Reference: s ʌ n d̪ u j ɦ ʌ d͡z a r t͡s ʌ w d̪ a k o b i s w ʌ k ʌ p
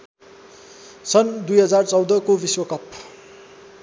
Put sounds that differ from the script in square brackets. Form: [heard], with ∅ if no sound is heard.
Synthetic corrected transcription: s ʌ n d̪ u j ɦ ʌ d͡z a r t͡s ʌ w d̪ [ʌ] k o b i s w ʌ k ʌ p